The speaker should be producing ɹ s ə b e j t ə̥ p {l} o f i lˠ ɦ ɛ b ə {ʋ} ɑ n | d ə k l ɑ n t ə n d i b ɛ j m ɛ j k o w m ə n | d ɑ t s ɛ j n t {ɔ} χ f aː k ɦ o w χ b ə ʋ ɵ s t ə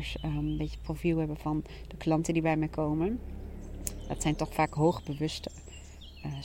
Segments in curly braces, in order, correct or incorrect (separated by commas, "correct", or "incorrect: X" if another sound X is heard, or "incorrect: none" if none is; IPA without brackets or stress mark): incorrect: r, incorrect: v, correct